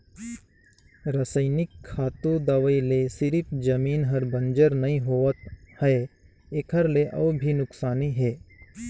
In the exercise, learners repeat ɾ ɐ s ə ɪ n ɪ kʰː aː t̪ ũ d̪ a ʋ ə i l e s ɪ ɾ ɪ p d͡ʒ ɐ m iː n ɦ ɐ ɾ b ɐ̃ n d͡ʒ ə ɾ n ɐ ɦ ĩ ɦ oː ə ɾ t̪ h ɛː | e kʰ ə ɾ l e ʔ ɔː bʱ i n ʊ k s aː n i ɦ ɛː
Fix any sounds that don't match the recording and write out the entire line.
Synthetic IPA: ɾ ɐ s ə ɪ n ɪ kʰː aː t̪ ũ d̪ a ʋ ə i l e s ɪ ɾ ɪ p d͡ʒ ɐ m iː n ɦ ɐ ɾ b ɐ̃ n d͡ʒ ə ɾ n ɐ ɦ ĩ ɦ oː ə t̪ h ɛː | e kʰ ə ɾ l e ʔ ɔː bʱ i n ʊ k s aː n i ɦ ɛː